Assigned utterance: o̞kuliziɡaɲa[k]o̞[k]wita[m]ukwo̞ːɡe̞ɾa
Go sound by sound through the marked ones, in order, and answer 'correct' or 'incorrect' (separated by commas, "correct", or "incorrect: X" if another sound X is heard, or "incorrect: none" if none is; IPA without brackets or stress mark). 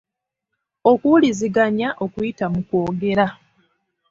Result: incorrect: ʔ, correct, correct